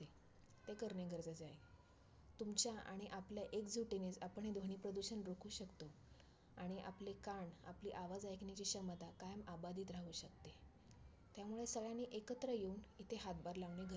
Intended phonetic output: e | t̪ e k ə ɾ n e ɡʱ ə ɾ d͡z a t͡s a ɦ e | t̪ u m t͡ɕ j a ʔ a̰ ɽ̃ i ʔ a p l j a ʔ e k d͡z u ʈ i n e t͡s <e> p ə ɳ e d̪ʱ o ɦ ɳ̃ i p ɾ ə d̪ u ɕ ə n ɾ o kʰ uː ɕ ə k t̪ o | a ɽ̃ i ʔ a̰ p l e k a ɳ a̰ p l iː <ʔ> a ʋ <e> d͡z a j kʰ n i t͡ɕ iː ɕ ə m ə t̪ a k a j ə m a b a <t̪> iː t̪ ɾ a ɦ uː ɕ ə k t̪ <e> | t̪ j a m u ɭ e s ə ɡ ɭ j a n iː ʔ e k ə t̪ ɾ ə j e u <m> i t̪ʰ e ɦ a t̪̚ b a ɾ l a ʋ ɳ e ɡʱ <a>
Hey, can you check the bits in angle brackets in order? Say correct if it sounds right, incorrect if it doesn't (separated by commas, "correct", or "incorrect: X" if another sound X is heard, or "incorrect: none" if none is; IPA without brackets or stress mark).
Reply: incorrect: a, correct, incorrect: a, incorrect: d̪, correct, incorrect: n, incorrect: ə